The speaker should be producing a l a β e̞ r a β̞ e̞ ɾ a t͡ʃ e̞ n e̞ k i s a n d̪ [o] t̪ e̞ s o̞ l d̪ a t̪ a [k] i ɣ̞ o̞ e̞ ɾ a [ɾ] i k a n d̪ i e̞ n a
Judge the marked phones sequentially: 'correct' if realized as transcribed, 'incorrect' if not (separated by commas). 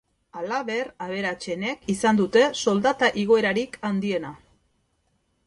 incorrect, incorrect, correct